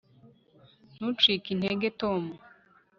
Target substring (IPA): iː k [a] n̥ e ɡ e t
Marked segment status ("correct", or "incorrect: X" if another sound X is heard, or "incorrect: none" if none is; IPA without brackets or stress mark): incorrect: i